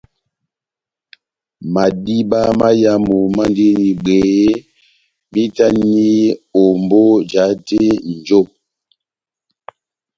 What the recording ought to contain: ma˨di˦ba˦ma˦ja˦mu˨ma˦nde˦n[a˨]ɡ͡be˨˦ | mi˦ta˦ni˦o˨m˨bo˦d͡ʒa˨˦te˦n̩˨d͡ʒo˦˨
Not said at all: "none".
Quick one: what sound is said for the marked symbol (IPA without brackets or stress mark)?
i˨